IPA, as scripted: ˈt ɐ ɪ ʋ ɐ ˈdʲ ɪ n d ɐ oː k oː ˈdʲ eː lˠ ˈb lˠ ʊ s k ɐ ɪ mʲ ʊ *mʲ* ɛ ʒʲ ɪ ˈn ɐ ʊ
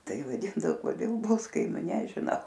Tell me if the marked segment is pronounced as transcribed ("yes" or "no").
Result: no